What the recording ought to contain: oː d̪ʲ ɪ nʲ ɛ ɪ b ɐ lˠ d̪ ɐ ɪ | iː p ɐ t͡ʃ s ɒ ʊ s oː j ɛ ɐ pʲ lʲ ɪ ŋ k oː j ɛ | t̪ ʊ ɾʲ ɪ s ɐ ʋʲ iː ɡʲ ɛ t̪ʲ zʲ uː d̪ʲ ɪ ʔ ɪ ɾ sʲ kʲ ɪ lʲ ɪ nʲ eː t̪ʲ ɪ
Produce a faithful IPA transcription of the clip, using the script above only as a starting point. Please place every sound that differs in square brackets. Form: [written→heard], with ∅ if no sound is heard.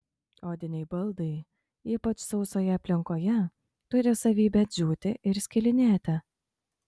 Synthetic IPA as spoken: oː d̪ʲ ɪ nʲ ɛ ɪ b ɐ lˠ d̪ ɐ ɪ | iː p ɐ t͡ʃ s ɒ ʊ s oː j ɛ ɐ pʲ lʲ ɪ ŋ k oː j ɛ | t̪ ʊ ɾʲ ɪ s ɐ ʋʲ iː [ɡʲ→bʲ] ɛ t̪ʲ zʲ uː [d̪ʲ→t̪ʲ] ɪ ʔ ɪ ɾ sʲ kʲ ɪ lʲ ɪ nʲ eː t̪ʲ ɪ